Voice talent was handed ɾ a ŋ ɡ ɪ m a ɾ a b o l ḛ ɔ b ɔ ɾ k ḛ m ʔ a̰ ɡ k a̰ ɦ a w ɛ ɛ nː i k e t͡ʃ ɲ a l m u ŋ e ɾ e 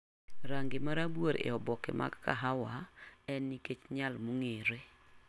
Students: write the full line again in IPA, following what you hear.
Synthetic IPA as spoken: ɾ a ŋ ɡ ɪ m a ɾ a b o ɾ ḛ ɔ b ɔ k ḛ m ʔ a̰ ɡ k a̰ ɦ a w a ɛ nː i k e t͡ʃ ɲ a l m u ŋ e ɾ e